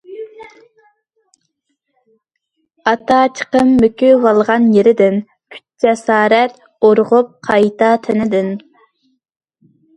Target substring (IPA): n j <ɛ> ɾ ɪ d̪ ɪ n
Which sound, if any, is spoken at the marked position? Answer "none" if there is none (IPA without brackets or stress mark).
e